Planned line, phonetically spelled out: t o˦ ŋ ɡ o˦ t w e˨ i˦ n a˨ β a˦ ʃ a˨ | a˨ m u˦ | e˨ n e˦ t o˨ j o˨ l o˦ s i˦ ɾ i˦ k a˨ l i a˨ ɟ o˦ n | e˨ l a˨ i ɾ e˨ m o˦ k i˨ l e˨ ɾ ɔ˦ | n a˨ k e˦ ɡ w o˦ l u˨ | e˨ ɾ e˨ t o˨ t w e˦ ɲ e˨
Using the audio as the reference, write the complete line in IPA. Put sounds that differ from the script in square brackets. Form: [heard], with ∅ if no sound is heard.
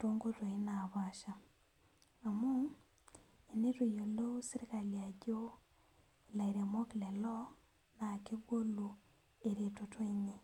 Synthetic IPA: t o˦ ŋ ɡ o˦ t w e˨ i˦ n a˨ β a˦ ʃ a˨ | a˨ m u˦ | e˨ n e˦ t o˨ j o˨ l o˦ s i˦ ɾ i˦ k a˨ l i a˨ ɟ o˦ [∅] | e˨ l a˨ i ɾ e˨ m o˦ k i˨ l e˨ [l] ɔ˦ | n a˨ k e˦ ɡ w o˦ l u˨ | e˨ ɾ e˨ t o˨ t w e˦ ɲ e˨